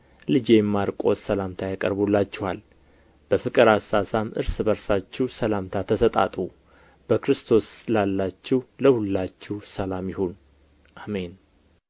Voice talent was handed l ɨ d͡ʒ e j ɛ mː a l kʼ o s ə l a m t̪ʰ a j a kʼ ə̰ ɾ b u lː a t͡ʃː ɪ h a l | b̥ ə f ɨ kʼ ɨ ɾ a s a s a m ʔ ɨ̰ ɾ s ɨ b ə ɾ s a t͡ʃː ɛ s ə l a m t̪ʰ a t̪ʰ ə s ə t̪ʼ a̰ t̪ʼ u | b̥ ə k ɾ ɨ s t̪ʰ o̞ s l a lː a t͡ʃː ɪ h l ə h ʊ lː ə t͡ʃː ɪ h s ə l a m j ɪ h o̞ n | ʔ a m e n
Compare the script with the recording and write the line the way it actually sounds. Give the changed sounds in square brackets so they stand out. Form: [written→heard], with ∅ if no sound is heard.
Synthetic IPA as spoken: l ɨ d͡ʒ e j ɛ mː a [l→ɾ] kʼ o s ə l a m t̪ʰ a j a kʼ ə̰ ɾ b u lː a t͡ʃː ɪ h a l | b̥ ə f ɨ kʼ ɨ ɾ a s a s a m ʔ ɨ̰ ɾ s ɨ b ə ɾ s a t͡ʃː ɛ s ə l a m t̪ʰ a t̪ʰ ə s ə t̪ʼ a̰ t̪ʼ u | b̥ ə k ɾ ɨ s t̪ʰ o̞ s l a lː a t͡ʃː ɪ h l ə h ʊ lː [ə→a] t͡ʃː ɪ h s ə l a m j ɪ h o̞ n | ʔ a m e n